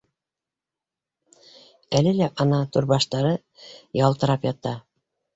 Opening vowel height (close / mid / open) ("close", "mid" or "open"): open